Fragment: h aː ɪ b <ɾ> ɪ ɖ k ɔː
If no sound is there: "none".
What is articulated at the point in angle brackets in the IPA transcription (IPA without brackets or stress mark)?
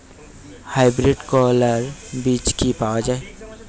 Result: ɾ